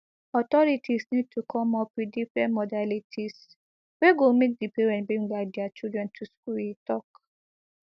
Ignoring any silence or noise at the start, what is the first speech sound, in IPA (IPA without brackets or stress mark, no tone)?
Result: ɔ